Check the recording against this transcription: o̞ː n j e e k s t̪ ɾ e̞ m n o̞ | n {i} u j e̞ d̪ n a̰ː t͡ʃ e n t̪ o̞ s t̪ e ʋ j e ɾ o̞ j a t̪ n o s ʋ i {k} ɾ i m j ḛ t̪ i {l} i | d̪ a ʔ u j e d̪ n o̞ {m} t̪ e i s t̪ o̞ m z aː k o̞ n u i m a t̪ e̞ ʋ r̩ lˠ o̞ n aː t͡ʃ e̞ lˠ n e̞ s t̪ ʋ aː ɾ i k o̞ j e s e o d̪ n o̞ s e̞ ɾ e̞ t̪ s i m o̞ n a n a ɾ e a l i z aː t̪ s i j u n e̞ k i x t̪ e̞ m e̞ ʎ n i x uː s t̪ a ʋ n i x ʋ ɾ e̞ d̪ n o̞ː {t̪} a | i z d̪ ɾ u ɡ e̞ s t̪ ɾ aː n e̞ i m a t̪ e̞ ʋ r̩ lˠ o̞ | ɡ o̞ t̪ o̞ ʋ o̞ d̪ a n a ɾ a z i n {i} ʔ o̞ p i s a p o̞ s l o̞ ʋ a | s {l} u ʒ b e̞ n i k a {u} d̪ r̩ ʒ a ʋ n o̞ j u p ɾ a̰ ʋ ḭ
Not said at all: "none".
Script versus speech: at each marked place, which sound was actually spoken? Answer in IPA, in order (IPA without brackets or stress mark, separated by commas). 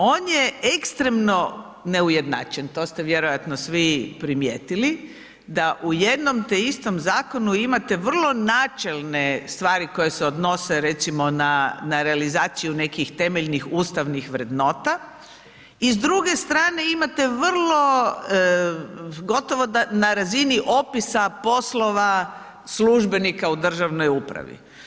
e, p, l, m, t̪, i, l, u